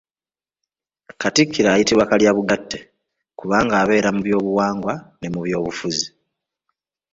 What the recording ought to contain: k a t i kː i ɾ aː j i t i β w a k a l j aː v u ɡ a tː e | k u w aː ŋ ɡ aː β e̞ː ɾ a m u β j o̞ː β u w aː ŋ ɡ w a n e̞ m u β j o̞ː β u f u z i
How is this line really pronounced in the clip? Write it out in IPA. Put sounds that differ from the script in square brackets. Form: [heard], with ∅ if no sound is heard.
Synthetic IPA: k a t i kː i ɾ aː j i t i β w a k a l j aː [β] u ɡ a tː e | k u [β] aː ŋ ɡ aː β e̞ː ɾ a m u β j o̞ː β u w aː ŋ ɡ w a n e̞ m u β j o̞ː β u f u z i